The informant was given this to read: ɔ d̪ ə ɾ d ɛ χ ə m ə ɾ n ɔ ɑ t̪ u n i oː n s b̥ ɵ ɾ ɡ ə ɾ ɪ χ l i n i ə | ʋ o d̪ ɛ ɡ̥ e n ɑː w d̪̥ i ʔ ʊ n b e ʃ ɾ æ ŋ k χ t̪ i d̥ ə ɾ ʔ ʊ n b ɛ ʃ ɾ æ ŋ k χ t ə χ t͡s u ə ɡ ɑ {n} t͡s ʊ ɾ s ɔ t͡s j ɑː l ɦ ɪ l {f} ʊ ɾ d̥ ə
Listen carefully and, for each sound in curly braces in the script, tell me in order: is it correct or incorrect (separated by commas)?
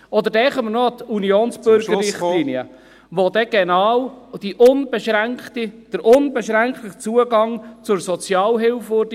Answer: incorrect, correct